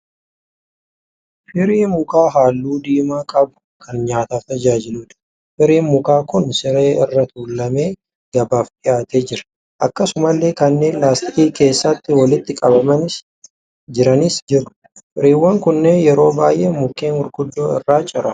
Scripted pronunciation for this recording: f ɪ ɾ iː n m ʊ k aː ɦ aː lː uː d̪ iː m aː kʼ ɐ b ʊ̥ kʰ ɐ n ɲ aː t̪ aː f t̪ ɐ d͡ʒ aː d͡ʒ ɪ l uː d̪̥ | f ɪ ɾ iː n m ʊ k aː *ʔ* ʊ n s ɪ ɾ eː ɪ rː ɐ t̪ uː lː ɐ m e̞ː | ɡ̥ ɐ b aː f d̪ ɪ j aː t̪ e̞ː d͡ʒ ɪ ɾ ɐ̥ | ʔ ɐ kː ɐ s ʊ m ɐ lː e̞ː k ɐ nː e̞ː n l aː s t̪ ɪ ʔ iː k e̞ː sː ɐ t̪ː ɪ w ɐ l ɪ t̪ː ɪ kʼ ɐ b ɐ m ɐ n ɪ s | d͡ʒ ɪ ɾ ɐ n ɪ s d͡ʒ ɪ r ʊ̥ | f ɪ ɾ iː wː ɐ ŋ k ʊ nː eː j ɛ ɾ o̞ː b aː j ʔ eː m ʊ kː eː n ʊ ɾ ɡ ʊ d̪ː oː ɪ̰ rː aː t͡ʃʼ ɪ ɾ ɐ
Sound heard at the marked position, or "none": k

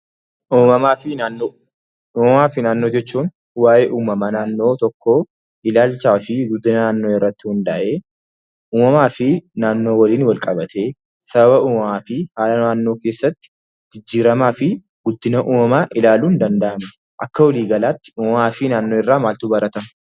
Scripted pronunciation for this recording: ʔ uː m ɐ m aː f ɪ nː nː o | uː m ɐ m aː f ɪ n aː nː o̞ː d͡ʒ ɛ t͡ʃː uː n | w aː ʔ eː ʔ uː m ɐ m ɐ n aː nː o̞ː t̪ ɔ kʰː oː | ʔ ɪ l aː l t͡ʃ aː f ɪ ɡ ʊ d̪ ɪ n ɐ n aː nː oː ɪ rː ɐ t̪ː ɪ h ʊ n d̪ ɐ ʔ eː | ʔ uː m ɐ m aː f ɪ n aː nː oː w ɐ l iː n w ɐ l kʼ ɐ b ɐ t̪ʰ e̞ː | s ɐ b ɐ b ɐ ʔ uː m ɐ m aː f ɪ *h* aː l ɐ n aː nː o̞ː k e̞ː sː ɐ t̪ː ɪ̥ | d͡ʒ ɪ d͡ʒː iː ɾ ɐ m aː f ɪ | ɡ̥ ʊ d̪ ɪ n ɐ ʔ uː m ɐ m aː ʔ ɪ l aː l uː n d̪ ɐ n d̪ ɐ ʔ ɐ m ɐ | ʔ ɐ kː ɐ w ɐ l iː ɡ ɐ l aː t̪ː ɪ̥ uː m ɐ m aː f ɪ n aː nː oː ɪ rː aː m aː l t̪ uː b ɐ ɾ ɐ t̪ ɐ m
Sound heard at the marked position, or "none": h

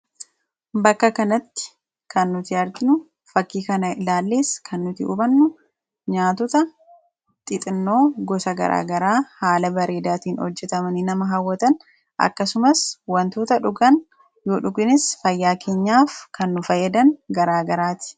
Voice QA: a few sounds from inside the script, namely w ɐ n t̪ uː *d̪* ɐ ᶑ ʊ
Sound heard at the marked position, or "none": t̪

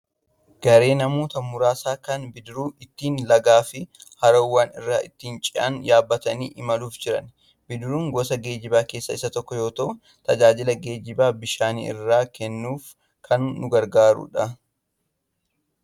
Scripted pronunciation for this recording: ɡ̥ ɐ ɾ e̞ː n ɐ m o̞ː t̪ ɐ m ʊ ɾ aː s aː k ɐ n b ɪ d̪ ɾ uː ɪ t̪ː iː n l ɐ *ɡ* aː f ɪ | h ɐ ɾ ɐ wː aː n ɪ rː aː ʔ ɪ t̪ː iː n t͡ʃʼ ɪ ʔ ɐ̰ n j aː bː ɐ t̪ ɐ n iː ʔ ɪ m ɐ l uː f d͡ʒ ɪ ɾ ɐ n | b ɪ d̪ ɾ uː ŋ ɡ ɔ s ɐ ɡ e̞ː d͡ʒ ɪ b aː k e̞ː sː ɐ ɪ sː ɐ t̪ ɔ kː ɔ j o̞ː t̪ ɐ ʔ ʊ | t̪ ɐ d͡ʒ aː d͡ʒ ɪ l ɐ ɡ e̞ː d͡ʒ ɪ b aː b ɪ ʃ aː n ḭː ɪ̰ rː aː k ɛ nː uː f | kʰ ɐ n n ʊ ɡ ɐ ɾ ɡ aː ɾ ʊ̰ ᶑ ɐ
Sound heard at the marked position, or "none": ɡ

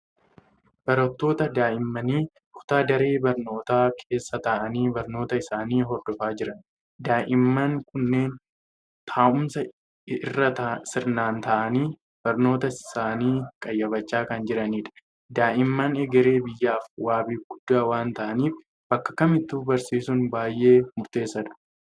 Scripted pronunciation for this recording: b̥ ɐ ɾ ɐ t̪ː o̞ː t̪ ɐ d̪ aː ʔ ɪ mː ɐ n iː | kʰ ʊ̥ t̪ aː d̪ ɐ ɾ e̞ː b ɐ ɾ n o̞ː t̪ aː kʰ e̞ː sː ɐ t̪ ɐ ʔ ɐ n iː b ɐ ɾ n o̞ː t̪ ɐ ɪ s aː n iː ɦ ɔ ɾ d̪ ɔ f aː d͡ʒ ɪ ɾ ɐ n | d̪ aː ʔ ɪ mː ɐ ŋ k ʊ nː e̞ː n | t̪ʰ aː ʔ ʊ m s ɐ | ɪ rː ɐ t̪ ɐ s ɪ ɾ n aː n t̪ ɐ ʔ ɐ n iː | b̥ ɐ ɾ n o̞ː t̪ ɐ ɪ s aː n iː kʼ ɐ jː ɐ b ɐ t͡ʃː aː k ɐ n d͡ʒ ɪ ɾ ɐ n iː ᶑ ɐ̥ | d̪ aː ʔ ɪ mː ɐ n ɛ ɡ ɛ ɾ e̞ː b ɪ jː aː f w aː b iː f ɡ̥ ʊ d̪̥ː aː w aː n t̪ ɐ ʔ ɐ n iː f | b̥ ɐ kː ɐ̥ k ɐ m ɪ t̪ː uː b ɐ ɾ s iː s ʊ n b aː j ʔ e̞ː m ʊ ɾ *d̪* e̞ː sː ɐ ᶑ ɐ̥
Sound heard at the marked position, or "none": t̪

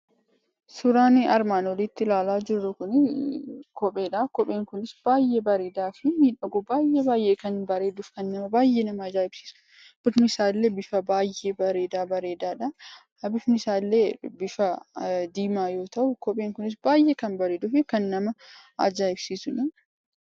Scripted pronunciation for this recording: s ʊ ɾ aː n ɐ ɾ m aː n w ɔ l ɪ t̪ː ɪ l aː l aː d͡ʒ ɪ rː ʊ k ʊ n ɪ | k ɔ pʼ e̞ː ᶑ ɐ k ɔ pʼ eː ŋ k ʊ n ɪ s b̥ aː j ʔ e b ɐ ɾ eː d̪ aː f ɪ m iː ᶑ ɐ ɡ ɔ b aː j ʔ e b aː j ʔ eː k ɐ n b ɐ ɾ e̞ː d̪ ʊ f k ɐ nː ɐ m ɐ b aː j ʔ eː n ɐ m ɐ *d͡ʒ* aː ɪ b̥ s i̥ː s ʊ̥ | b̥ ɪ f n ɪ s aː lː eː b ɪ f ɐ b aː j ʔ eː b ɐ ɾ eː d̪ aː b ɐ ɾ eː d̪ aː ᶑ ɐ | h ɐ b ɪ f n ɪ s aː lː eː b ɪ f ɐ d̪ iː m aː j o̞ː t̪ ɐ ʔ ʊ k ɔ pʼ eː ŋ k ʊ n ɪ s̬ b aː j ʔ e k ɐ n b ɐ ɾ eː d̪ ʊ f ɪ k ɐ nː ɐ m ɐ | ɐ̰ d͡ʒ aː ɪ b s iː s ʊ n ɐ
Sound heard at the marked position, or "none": d͡ʒ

